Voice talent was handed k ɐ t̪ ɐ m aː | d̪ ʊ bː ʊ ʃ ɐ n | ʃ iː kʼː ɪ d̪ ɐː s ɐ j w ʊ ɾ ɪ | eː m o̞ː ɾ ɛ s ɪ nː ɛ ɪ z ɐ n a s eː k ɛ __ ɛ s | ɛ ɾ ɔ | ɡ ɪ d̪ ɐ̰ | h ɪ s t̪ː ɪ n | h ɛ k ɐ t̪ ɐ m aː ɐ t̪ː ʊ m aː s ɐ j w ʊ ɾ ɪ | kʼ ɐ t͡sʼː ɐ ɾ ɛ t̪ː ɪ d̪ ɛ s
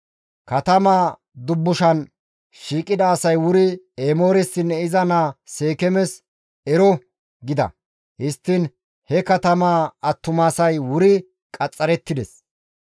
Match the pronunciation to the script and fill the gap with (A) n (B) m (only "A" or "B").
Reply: B